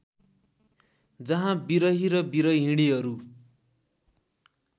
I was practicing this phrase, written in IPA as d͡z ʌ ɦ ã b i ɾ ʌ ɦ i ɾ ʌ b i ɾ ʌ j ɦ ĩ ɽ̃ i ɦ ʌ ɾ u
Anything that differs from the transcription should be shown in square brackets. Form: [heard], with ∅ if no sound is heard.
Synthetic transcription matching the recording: d͡z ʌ ɦ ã b i ɾ ʌ ɦ i ɾ ʌ b i ɾ ʌ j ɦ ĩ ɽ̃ i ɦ ʌ ɾ u